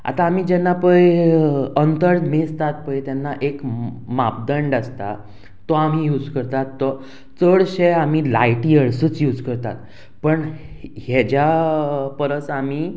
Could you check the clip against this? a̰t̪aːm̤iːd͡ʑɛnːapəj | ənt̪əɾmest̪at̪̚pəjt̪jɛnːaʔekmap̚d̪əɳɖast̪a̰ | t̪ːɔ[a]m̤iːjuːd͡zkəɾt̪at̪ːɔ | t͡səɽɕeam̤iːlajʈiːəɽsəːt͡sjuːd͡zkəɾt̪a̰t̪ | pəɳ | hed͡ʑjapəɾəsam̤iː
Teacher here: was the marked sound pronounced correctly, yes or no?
yes